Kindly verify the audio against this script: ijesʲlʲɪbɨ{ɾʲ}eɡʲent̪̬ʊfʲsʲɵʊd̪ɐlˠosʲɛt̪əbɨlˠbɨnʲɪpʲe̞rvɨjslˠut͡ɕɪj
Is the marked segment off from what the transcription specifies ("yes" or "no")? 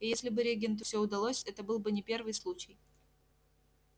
no